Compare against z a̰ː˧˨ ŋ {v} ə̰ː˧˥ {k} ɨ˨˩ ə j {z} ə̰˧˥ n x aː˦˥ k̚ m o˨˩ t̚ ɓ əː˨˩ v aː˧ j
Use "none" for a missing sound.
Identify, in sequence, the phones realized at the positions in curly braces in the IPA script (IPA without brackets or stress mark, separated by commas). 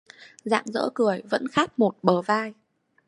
z, k, v